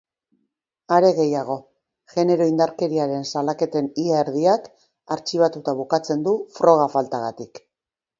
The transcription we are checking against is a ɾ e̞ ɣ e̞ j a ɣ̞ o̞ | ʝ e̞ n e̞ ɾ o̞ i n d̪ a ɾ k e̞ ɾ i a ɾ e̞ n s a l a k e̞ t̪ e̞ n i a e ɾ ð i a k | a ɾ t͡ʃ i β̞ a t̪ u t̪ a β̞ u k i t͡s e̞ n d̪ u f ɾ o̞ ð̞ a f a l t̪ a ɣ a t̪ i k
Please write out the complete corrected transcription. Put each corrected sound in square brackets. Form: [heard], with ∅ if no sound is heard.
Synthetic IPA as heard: a ɾ e̞ ɣ e̞ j a ɣ̞ o̞ | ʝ e̞ n e̞ ɾ o̞ i n d̪ a ɾ k e̞ ɾ i a ɾ e̞ n s a l a k e̞ t̪ e̞ n i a e ɾ ð i a k | a ɾ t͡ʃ i β̞ a t̪ u t̪ a β̞ u k [a] t͡s e̞ n d̪ u f ɾ o̞ [ɣ̞] a f a l t̪ a ɣ a t̪ i k